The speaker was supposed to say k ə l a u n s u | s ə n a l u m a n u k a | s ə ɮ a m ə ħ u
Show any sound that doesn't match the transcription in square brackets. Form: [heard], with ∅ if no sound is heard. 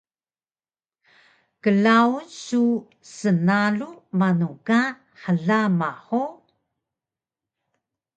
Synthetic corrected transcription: k ə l a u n s u | s ə n a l u m a n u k a | [ħ] ə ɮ a m [a] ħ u